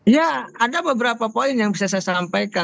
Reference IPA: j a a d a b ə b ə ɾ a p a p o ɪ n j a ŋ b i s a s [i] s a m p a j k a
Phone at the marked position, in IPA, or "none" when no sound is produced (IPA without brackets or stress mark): a